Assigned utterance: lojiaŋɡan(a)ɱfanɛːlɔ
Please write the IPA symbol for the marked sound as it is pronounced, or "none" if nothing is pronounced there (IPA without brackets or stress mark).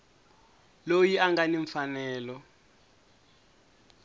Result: i